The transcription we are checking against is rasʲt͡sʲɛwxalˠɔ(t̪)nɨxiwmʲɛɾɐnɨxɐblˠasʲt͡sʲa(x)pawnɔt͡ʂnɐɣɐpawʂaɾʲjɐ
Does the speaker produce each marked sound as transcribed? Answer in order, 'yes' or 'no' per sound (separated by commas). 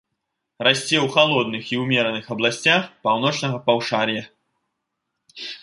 no, yes